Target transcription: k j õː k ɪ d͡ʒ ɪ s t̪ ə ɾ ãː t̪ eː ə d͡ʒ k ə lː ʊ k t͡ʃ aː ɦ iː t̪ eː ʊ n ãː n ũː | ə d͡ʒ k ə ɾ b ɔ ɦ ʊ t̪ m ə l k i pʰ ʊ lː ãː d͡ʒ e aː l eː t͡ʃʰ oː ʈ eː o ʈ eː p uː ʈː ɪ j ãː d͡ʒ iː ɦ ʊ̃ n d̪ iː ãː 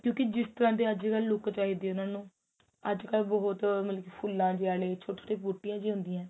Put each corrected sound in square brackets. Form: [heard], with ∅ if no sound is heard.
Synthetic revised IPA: k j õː k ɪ d͡ʒ ɪ s t̪ ə ɾ ãː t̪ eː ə d͡ʒ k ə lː ʊ k t͡ʃ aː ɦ iː [d̪] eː ʊ n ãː n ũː | ə d͡ʒ k ə [l] b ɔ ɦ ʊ t̪ m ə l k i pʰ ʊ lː ãː d͡ʒ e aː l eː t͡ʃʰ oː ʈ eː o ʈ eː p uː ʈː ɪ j ãː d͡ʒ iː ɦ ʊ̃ n d̪ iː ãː